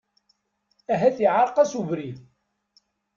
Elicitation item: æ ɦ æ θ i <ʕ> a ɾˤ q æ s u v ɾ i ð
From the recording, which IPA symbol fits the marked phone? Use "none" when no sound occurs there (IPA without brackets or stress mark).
ʕ